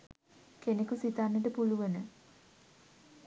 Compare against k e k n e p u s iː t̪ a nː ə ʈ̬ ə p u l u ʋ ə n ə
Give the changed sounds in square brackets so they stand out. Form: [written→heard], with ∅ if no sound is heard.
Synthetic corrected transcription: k e [k→∅] n e [p→k] u s [iː→i] t̪ a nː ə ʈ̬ ə p u l u ʋ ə n ə